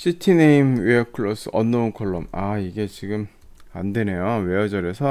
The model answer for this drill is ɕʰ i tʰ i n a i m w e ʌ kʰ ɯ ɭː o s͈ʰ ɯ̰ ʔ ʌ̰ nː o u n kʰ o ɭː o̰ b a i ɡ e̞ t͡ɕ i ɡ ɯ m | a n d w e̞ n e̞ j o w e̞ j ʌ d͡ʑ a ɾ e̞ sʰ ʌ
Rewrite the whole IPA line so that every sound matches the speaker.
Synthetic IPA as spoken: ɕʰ i tʰ i n e i m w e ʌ kʰ ɯ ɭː o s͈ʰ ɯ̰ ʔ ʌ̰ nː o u n kʰ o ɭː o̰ m a i ɡ e̞ t͡ɕ i ɡ ɯ m | a n d w e̞ n e̞ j o w e̞ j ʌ d͡ʑ ʌ ɾ e̞ sʰ ʌ